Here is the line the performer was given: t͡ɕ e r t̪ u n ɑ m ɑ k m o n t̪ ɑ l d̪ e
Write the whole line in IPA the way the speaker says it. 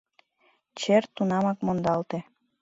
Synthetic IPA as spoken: t͡ɕ e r t̪ u n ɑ m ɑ k m o n d̪ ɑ l t̪ e